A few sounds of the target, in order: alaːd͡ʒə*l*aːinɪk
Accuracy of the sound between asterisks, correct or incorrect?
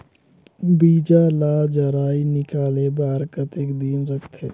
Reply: incorrect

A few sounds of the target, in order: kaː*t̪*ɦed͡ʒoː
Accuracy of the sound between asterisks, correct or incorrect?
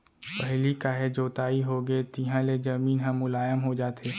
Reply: incorrect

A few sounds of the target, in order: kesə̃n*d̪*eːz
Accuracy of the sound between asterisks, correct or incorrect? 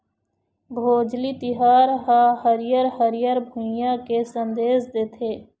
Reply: correct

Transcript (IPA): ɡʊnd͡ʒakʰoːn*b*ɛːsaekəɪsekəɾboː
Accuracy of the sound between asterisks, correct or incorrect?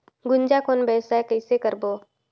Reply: correct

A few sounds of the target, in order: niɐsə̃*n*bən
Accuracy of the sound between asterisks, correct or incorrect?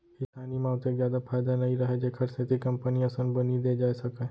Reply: correct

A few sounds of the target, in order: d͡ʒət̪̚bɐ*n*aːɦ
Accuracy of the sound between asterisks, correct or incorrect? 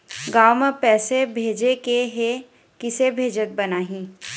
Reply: correct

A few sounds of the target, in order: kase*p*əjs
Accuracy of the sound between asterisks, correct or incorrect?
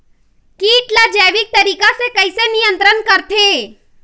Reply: incorrect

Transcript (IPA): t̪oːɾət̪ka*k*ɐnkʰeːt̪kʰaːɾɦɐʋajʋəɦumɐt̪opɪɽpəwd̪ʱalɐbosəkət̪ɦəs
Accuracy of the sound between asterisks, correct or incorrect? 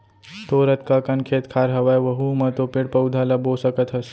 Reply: correct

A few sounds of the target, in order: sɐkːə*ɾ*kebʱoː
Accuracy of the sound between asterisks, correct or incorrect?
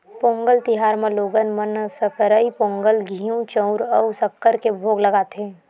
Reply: correct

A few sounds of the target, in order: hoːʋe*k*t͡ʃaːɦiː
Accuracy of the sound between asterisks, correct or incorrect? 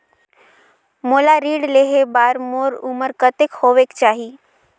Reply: correct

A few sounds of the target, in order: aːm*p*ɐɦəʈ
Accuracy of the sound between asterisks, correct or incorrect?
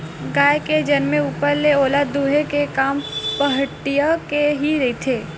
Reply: correct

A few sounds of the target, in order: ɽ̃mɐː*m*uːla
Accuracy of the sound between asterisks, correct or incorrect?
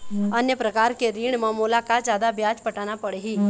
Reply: correct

